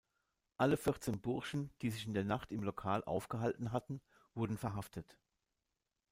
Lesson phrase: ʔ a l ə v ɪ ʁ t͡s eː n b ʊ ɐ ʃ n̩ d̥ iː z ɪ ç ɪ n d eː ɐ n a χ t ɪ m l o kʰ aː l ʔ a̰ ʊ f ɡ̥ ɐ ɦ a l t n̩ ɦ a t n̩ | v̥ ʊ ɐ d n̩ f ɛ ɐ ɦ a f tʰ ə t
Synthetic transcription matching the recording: ʔ a l ə f ɪ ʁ t͡s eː n b ʊ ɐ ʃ n̩ d̥ iː z ɪ ç ɪ n d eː ɐ n a χ t ɪ m l o kʰ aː l ʔ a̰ ʊ f ɡ̥ ə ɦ a l t n̩ ɦ a t n̩ | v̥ ʊ ɐ d n̩ f ɛ ɐ ɦ a f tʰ ə t